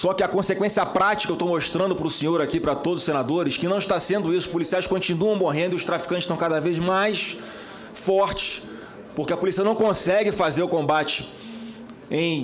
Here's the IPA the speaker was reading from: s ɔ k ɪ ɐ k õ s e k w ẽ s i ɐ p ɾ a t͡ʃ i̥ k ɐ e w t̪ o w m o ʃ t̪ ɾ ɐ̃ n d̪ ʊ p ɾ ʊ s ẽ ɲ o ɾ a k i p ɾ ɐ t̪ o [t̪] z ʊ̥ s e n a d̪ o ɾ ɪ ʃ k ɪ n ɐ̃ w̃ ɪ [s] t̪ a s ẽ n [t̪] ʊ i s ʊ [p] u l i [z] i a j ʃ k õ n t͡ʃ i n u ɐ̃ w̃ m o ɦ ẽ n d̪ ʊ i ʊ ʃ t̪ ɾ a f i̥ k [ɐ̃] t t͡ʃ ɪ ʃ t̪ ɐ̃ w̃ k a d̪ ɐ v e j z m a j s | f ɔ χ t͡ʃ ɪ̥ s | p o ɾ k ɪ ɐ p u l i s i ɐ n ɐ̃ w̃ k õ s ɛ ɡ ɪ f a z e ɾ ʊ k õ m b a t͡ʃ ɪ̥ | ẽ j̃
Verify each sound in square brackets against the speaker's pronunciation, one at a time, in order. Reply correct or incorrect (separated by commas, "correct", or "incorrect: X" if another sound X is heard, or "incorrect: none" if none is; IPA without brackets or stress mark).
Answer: incorrect: d̪, incorrect: ʃ, incorrect: d̪, correct, incorrect: s, correct